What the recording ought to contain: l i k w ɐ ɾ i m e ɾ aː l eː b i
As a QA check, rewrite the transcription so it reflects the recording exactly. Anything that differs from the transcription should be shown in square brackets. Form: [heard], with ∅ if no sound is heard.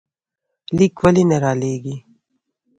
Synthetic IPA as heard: l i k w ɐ [l] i [n] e ɾ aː l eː [ɡ] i